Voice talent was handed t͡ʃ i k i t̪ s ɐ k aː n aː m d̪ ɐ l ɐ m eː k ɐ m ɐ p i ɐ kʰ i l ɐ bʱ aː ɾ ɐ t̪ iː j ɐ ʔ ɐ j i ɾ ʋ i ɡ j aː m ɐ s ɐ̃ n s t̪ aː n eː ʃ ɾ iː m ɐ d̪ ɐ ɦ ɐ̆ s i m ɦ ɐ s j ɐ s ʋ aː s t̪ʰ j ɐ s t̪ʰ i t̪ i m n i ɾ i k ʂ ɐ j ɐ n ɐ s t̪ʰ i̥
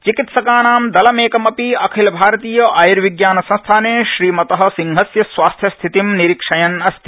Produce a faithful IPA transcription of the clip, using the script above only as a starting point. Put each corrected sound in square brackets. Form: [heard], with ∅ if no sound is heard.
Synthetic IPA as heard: t͡ʃ i k i t̪ s ɐ k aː n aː m d̪ ɐ l ɐ m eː k ɐ m ɐ p i ɐ kʰ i l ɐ bʱ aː ɾ ɐ t̪ iː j ɐ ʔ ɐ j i ɾ ʋ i ɡ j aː [n] ɐ s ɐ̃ n s [t̪ʰ] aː n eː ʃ ɾ iː m ɐ [t̪] ɐ ɦ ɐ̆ s i [ŋ] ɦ ɐ s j ɐ s ʋ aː s t̪ʰ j ɐ s t̪ʰ i t̪ i m n i ɾ i k ʂ ɐ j ɐ n ɐ s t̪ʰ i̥